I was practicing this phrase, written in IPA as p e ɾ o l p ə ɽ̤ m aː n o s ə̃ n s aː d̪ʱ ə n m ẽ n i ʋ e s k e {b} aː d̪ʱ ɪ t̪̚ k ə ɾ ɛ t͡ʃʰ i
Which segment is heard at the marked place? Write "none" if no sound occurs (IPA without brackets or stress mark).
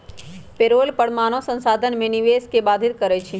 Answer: b